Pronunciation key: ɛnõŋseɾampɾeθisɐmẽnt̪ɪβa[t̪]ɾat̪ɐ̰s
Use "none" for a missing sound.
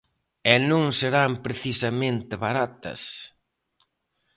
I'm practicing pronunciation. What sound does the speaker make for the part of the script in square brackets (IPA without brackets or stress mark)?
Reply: none